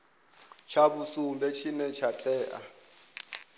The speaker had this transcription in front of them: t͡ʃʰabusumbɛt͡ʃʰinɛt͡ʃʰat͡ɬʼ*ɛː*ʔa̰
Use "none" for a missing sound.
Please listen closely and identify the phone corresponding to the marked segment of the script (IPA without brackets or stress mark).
ɛː